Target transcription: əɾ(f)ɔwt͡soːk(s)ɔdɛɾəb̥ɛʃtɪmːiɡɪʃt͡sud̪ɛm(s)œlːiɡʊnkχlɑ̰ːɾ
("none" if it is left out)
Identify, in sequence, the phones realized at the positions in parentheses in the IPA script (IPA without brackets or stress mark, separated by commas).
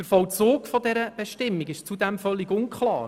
f, f, f